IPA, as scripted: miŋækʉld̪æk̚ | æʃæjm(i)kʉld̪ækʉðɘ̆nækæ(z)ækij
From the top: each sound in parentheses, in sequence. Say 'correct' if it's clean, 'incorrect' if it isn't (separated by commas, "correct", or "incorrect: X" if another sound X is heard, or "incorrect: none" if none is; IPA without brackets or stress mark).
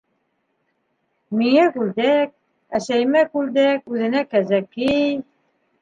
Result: incorrect: æ, correct